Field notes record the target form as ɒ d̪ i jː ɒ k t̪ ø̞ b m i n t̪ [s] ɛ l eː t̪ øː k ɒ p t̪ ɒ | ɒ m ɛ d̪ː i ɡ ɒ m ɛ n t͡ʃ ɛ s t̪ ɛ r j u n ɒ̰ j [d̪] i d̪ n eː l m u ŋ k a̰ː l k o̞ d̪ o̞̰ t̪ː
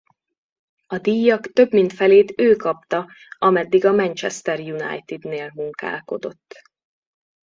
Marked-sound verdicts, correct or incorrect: incorrect: f, incorrect: t̪

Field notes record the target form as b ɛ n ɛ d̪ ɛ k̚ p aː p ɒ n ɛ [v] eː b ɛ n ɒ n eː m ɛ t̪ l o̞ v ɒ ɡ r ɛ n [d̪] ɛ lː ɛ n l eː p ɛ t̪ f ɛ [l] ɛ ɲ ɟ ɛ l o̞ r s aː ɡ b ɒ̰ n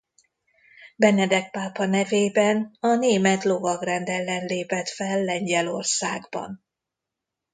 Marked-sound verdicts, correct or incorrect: correct, correct, incorrect: lː

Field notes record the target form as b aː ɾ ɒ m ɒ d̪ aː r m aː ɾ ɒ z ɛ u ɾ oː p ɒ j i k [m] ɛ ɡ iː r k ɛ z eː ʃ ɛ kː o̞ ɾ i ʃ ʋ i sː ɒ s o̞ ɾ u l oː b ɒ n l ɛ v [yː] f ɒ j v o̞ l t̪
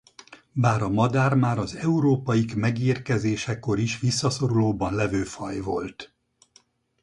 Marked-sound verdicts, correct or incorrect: correct, incorrect: øː

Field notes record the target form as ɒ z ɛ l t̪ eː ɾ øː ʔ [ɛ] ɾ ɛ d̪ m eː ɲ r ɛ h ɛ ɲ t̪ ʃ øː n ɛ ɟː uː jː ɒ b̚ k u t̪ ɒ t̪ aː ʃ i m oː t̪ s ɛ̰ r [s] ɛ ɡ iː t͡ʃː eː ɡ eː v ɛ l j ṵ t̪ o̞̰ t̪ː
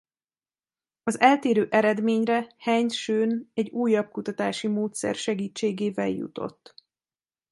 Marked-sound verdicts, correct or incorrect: correct, incorrect: ʃ

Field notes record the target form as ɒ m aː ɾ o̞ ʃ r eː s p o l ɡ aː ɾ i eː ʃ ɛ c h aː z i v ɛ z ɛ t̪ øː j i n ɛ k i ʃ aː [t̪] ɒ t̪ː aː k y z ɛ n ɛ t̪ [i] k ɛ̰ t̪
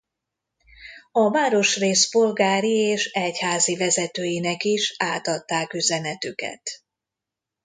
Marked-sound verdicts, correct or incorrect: correct, incorrect: y

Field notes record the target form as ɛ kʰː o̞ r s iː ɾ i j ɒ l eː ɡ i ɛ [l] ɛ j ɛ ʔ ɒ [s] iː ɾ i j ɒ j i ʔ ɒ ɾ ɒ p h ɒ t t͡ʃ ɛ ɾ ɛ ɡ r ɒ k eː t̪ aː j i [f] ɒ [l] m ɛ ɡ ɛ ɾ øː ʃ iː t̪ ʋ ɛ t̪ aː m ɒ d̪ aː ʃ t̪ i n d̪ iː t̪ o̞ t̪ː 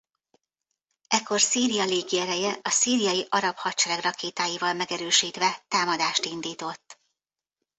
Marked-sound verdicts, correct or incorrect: incorrect: ɾ, correct, incorrect: v, correct

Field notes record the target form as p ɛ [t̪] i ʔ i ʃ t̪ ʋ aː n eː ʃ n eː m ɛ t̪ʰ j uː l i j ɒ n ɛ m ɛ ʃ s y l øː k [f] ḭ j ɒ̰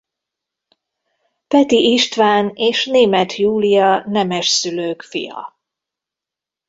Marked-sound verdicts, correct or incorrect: correct, correct

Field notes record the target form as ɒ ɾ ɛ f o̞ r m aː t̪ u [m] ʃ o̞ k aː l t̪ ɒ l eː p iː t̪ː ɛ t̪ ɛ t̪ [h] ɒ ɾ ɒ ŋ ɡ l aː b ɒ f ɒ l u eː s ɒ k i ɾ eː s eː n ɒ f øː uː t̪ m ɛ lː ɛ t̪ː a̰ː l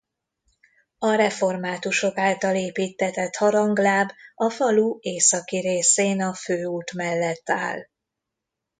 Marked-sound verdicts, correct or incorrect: incorrect: none, correct

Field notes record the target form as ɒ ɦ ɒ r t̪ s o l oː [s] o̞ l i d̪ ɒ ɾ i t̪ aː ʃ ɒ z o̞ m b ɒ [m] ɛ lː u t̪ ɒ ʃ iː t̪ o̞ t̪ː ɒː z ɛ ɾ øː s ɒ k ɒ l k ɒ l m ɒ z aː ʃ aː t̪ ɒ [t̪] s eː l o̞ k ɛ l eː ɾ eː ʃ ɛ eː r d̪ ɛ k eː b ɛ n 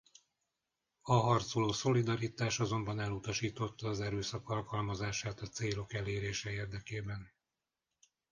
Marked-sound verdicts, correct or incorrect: correct, incorrect: n, correct

